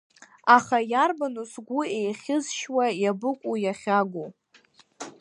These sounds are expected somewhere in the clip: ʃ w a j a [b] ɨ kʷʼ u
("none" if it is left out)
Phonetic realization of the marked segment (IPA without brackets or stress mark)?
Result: b